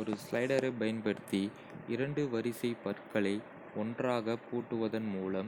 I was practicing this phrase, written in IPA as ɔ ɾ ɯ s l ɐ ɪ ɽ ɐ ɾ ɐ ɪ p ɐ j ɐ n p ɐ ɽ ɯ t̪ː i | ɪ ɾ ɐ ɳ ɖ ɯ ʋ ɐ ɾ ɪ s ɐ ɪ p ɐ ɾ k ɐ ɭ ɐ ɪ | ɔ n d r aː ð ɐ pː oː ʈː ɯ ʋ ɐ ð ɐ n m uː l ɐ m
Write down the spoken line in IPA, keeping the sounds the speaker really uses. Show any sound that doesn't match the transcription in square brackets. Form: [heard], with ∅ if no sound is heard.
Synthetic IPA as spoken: ɔ ɾ ɯ s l ɐ ɪ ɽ ɐ ɾ ɐ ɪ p ɐ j ɐ n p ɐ ɽ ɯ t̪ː i | ɪ ɾ ɐ ɳ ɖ ɯ ʋ ɐ ɾ ɪ s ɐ ɪ p ɐ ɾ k ɐ ɭ ɐ ɪ | ɔ n d r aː [ɣ] ɐ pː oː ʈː ɯ ʋ ɐ ð ɐ n m uː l ɐ m